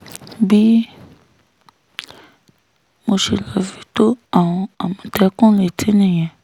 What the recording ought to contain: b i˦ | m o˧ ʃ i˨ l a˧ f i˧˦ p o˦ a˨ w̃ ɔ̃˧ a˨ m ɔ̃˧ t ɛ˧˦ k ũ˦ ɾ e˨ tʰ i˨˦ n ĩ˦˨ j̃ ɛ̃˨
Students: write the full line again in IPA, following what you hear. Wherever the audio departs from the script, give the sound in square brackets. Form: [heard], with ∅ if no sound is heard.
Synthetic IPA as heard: b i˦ | m o˧ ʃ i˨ l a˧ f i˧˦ [t] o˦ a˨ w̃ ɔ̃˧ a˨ m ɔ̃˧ t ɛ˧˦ k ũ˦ [l] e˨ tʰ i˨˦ n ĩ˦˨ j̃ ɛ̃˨